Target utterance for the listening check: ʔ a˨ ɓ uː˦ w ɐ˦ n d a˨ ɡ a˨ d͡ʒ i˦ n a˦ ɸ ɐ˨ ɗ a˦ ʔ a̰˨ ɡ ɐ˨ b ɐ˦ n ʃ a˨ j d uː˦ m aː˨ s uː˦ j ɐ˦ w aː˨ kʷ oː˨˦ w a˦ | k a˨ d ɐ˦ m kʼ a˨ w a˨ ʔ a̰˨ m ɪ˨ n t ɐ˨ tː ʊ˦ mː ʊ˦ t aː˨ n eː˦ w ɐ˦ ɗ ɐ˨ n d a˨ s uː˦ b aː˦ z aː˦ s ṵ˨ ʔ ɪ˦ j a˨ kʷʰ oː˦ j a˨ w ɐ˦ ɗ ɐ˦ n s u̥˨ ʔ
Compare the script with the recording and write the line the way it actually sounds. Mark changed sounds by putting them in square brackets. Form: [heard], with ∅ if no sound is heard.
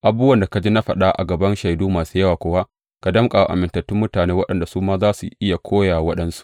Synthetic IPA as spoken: ʔ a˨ [b] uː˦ w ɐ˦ n d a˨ [k] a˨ d͡ʒ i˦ n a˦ ɸ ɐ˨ ɗ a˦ ʔ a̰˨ ɡ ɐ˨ b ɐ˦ n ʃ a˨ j d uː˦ m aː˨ s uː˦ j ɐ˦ w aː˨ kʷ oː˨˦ w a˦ | k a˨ d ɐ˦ m kʼ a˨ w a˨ ʔ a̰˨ m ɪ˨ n t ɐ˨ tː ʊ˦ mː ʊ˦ t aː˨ n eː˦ w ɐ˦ ɗ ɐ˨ n d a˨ s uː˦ [m] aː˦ z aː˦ s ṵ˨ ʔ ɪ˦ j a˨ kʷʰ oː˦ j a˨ w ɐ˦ ɗ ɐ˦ n s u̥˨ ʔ